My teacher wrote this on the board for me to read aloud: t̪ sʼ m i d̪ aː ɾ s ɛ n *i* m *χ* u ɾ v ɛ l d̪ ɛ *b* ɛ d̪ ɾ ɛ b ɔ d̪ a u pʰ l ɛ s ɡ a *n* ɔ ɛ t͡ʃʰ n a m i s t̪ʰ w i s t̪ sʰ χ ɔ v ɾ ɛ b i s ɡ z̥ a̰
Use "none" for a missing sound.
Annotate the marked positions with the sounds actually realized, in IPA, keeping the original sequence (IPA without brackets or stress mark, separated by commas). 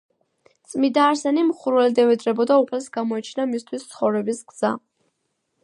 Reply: i, χ, v, m